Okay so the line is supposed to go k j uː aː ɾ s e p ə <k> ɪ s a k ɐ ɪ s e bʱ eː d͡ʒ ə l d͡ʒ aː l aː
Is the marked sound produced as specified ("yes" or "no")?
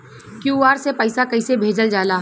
no